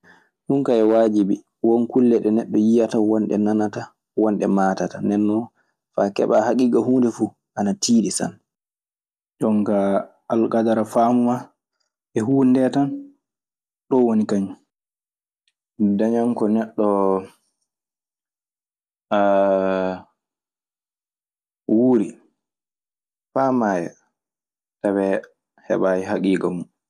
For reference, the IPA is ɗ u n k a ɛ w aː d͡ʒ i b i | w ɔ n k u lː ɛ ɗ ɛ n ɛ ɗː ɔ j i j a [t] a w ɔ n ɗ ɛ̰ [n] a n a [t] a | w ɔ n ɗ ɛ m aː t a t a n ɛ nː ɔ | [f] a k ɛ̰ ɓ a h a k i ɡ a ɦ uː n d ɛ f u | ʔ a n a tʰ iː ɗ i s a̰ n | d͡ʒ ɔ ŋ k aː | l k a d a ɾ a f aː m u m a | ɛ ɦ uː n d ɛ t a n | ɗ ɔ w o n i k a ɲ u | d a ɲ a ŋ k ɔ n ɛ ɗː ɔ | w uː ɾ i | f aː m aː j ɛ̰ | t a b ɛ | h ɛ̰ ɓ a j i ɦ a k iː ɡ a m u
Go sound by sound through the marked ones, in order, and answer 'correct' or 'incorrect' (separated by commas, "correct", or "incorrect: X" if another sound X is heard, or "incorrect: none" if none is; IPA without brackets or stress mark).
correct, correct, correct, correct